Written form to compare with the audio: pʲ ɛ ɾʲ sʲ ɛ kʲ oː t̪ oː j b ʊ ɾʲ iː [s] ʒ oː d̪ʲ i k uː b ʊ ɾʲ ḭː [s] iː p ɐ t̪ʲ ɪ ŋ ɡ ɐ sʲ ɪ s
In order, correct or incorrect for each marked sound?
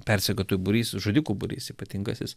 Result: correct, correct

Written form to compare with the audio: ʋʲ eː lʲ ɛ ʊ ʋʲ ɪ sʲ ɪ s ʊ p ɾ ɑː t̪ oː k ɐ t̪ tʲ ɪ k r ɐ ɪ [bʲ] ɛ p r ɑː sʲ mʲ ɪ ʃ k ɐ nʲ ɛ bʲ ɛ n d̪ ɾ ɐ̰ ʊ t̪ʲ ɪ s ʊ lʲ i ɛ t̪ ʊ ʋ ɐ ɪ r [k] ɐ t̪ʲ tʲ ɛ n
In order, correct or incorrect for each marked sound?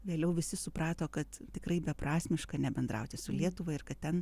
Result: correct, correct

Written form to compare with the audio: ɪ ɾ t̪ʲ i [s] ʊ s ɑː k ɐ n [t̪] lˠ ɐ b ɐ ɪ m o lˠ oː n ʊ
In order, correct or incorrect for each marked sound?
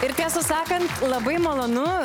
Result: correct, correct

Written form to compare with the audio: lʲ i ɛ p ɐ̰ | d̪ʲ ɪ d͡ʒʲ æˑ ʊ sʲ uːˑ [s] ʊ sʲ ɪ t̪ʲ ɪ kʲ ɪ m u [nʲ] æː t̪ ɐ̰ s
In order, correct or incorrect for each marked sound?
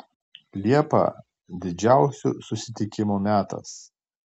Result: correct, incorrect: mʲ

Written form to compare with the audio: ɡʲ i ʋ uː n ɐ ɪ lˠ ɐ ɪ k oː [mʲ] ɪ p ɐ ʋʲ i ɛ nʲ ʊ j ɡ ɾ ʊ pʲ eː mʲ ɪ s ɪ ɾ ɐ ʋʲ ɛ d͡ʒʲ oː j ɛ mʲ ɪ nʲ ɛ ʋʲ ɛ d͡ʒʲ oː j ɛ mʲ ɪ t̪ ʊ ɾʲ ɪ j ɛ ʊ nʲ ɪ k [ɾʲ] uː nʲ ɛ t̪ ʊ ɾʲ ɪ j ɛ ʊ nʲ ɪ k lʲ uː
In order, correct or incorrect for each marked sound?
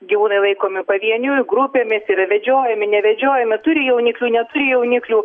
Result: correct, incorrect: lʲ

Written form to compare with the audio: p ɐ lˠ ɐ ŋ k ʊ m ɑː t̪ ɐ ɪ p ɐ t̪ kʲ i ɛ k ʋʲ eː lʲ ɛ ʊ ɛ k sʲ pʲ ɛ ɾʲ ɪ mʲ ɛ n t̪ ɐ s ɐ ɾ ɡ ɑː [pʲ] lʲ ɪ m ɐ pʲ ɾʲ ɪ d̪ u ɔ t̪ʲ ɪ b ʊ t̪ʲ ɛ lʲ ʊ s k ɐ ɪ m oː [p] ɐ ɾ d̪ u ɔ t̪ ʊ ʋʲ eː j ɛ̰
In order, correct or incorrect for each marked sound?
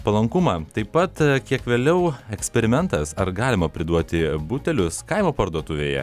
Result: incorrect: none, correct

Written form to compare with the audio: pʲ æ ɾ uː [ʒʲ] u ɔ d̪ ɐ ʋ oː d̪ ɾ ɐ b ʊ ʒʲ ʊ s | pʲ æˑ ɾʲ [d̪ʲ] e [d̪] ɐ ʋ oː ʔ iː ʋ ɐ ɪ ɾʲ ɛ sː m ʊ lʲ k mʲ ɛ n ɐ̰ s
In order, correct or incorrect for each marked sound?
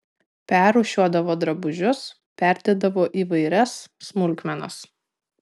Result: incorrect: ʃʲ, correct, correct

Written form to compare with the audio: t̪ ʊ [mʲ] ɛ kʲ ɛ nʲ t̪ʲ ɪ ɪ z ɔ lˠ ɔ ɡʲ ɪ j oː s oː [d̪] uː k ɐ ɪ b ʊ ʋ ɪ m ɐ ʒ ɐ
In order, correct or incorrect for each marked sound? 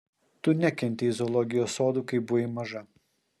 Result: incorrect: nʲ, correct

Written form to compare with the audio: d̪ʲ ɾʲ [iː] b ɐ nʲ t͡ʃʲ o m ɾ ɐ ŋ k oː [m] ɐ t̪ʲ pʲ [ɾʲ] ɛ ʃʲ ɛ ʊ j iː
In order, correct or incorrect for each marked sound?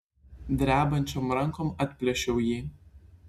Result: incorrect: æː, correct, incorrect: lʲ

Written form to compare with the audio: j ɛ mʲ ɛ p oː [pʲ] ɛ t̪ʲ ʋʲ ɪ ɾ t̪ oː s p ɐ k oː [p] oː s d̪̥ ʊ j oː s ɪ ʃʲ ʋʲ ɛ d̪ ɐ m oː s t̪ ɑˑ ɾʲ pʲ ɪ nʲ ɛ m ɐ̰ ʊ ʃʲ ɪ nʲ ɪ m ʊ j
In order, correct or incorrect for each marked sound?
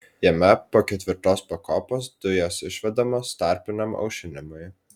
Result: incorrect: kʲ, correct

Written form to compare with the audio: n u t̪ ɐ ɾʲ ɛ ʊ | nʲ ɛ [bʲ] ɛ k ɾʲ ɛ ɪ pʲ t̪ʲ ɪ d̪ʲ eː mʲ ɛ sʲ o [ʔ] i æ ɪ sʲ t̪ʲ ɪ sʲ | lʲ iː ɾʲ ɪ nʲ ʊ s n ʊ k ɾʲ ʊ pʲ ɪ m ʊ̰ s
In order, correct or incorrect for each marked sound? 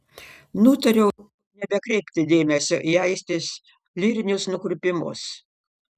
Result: correct, correct

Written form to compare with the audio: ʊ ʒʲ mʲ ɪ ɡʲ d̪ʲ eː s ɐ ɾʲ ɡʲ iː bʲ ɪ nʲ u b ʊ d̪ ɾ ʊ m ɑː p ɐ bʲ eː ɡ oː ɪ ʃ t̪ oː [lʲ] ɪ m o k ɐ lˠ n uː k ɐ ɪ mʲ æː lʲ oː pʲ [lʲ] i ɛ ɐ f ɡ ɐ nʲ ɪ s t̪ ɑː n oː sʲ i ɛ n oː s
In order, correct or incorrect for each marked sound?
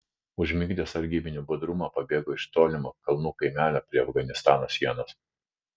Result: correct, incorrect: ɾʲ

